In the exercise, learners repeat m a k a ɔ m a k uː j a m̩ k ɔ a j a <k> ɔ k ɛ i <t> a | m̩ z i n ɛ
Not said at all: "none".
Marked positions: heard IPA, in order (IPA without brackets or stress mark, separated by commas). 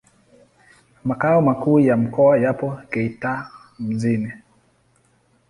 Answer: p, t